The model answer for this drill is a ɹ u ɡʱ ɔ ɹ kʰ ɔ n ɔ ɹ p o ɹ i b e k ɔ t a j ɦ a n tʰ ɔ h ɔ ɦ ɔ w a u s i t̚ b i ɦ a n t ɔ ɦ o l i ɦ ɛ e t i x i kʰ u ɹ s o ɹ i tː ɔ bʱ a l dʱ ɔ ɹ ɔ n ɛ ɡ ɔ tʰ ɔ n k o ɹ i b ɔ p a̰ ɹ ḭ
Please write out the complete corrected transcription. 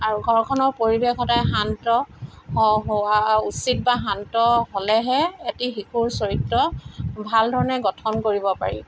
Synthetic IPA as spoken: a ɹ u ɡʱ ɔ ɹ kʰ ɔ n ɔ ɹ p o ɹ i b e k ɔ t a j ɦ a n t ɔ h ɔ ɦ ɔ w a u s i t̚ b a ɦ a n t ɔ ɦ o l ɛ ɦ ɛ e t i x i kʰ u ɹ s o ɹ i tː ɔ bʱ a l dʱ ɔ ɹ ɔ n ɛ ɡ ɔ tʰ ɔ n k o ɹ i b ɔ p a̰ ɹ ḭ

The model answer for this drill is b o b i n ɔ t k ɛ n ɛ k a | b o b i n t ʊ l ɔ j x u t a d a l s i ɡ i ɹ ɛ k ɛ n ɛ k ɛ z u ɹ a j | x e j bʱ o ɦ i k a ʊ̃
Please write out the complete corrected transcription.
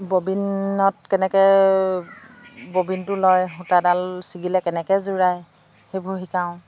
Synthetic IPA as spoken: b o b i n ɔ t k ɛ n ɛ k ɛ | b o b i n t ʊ l ɔ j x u t a d a l s i ɡ i l ɛ k ɛ n ɛ k ɛ z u ɹ a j | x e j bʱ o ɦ i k a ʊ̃

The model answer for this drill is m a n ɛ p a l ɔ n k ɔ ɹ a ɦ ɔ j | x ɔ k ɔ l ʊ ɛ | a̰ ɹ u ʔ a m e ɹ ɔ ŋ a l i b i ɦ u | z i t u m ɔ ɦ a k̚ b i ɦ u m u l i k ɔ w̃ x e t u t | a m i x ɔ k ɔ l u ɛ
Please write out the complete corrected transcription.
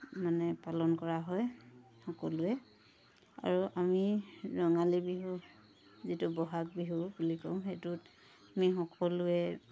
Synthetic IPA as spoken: m a n ɛ p a l ɔ n k ɔ ɹ a ɦ ɔ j | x ɔ k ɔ l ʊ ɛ | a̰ ɹ u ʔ a m i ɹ ɔ ŋ a l i b i ɦ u | z i t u b ɔ ɦ a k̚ b i ɦ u b u l i k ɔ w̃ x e t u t | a m i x ɔ k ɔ l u ɛ

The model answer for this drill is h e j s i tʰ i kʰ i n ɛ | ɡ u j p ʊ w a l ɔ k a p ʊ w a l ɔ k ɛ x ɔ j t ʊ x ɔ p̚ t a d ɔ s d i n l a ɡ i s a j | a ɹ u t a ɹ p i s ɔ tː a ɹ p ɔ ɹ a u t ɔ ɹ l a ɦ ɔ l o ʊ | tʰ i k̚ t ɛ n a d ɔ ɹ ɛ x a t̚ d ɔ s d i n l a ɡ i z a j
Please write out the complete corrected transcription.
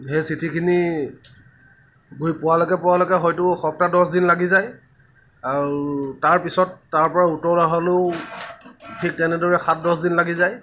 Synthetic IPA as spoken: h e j s i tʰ i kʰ i n i | ɡ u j p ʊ w a l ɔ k ɛ p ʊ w a l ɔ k ɛ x ɔ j t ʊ x ɔ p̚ t a d ɔ s d i n l a ɡ i z a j | a ɹ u t a ɹ p i s ɔ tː a ɹ p ɔ ɹ a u t ɔ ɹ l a ɦ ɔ l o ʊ | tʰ i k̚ t ɛ n ɛ d ɔ ɹ ɛ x a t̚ d ɔ s d i n l a ɡ i z a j

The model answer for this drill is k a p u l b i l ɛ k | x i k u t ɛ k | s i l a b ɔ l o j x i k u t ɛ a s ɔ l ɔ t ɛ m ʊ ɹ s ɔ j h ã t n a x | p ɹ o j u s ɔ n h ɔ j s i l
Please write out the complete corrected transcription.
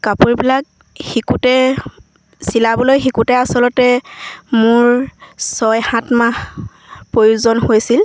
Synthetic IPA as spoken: k a p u ɹ b i l a k | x i k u t ɛ | s i l a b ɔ l o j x i k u t ɛ a s ɔ l ɔ t ɛ m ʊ ɹ s ɔ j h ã t m a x | p ɹ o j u z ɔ n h o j s i l

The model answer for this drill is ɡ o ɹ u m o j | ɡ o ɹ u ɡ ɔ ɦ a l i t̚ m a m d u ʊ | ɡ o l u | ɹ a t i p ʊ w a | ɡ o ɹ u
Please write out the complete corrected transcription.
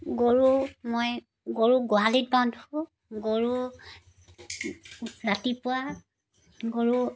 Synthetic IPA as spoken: ɡ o ɹ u m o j | ɡ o ɹ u ɡ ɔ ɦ a l i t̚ b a n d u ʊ | ɡ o ɹ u | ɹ a t i p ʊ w a | ɡ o ɹ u

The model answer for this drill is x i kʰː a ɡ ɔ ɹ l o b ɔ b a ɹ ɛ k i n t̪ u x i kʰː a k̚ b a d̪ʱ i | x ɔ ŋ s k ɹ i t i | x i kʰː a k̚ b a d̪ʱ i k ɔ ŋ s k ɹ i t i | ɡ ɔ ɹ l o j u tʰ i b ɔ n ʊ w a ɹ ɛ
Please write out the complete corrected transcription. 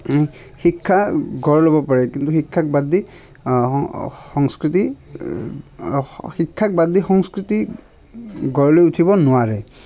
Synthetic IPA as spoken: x i kʰː a ɡ ɔ ɹ l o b ɔ p a ɹ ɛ k i n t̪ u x i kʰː a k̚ b a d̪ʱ i | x ɔ ŋ s k ɹ i t i | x i kʰː a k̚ b a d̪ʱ i x ɔ ŋ s k ɹ i t i | ɡ ɔ ɹ l o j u tʰ i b ɔ n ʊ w a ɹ ɛ

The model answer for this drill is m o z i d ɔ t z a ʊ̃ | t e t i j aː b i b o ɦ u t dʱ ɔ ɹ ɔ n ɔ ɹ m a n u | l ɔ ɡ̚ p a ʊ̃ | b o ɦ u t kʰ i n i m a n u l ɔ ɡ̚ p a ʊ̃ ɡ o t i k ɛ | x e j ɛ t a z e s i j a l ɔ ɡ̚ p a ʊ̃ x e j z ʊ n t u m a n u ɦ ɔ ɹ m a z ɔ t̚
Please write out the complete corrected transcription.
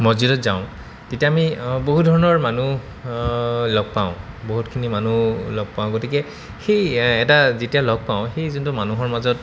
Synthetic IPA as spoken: m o z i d ɔ t z a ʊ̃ | t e t i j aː m i b o ɦ u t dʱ ɔ ɹ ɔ n ɔ ɹ m a n u | l ɔ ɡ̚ p a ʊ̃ | b o ɦ u t kʰ i n i m a n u l ɔ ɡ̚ p a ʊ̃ ɡ o t i k ɛ | x e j ɛ t a z e t i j a l ɔ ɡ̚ p a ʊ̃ x e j z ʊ n t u m a n u ɦ ɔ ɹ m a z ɔ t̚

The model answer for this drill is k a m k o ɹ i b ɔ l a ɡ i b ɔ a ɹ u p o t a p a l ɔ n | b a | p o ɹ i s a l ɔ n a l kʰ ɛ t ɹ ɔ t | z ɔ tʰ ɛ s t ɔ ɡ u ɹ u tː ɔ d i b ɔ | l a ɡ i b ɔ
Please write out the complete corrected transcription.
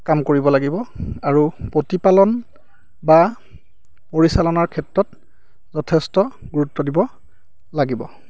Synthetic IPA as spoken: k a m k o ɹ i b ɔ l a ɡ i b ɔ a ɹ u p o t i p a l ɔ n | b a | p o ɹ i s a l ɔ n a ɹ kʰ ɛ t ɹ ɔ t | z ɔ tʰ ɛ s t ɔ ɡ u ɹ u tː ɔ d i b ɔ | l a ɡ i b ɔ

